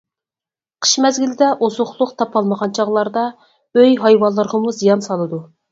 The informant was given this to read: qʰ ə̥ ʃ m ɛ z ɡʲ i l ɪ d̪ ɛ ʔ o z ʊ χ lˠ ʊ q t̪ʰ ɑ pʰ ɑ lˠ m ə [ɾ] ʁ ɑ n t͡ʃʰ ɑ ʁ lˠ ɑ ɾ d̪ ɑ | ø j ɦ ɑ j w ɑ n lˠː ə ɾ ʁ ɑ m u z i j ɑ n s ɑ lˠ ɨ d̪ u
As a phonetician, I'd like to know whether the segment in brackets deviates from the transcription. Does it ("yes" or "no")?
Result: yes